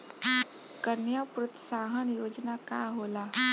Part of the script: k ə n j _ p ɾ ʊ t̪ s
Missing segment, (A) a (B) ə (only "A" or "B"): A